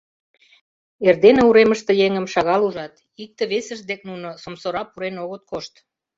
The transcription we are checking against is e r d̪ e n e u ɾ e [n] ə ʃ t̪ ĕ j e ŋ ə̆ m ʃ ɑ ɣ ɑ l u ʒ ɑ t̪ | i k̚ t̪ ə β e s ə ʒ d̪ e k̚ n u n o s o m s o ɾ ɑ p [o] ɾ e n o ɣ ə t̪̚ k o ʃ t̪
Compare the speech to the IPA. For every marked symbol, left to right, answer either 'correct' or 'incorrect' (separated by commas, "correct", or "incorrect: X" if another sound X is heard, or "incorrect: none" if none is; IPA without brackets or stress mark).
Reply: incorrect: m, incorrect: u